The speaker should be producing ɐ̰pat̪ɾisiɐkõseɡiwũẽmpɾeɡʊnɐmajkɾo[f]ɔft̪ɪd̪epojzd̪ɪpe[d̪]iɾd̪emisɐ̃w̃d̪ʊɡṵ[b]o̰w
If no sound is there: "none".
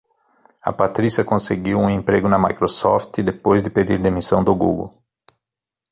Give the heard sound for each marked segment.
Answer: s, d̪, ɡ

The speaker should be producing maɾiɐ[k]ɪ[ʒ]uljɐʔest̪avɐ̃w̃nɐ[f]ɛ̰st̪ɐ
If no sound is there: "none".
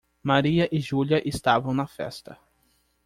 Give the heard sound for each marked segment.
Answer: ʔ, ʒ, f

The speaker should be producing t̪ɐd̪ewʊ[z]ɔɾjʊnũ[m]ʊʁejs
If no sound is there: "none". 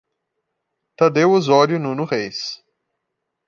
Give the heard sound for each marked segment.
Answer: z, n

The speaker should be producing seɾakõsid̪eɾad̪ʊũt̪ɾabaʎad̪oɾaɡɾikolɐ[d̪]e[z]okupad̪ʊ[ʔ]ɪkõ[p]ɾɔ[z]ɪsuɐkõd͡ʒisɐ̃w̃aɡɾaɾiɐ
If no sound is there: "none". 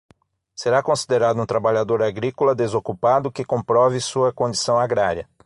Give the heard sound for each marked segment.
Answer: d̪, z, k, p, v

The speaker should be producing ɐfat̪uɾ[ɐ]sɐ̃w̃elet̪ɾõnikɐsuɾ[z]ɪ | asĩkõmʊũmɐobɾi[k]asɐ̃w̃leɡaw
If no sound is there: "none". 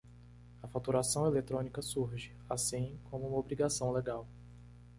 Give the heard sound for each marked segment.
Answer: a, ʒ, ɡ

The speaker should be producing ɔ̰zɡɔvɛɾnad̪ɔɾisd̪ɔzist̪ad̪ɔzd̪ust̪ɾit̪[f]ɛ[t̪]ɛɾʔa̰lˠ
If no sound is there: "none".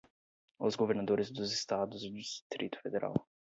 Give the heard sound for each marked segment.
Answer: f, d̪

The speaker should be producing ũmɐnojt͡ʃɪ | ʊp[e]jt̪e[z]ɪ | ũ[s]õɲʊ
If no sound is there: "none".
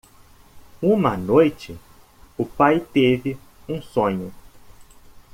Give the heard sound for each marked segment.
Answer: a, v, s

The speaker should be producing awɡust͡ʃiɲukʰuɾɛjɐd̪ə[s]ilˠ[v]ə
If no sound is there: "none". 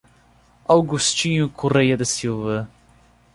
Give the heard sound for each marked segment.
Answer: s, v

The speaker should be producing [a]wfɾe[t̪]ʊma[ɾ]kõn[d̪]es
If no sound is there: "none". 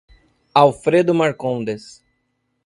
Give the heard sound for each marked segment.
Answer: a, d̪, ɾ, d̪

